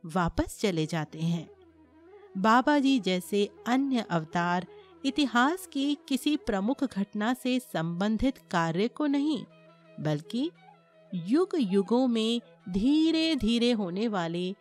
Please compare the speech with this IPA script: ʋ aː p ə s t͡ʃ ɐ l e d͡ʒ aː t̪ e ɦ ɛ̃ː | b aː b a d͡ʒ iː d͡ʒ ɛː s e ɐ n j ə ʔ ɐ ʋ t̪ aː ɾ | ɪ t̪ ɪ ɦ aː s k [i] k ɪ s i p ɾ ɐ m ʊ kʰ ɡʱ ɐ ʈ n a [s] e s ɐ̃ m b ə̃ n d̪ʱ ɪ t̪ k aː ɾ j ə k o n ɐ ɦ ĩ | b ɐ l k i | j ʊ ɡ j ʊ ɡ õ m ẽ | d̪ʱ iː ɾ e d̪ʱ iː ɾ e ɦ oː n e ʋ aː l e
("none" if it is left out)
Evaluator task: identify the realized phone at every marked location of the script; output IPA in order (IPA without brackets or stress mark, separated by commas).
i, s